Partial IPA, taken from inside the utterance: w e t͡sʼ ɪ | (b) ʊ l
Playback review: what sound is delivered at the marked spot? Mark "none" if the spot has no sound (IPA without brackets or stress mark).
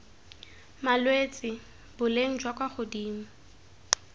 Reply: b